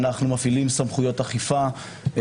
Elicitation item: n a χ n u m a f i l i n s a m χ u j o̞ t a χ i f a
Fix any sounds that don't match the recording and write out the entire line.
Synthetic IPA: n a χ n u m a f i l i m s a m χ u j o̞ t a χ i f a